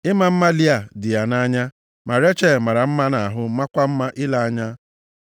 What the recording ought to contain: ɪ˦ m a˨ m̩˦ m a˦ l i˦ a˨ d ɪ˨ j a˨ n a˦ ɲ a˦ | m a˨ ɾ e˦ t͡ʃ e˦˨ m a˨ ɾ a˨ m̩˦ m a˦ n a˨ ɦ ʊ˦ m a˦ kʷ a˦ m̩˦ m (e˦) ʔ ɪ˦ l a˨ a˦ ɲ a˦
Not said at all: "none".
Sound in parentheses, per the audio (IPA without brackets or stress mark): a˦